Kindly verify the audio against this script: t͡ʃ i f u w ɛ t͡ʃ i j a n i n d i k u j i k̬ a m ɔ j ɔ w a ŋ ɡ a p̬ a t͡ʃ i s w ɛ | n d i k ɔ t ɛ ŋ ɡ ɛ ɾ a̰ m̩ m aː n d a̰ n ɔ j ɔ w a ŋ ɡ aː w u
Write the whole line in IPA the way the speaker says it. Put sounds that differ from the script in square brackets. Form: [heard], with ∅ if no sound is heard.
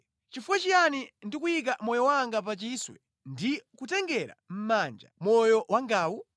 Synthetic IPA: t͡ʃ i f u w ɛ t͡ʃ i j a n i n d i k u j i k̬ a m ɔ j ɔ w a ŋ ɡ a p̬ a t͡ʃ i s w ɛ | n d i k [u] t ɛ ŋ ɡ ɛ ɾ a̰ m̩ m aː n [d͡ʒ] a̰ [m] ɔ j ɔ w a ŋ ɡ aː w u